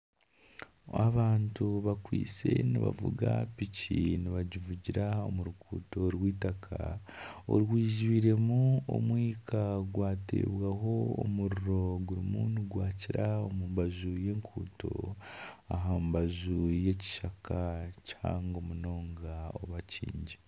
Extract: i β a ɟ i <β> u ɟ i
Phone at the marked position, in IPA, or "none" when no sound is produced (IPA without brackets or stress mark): v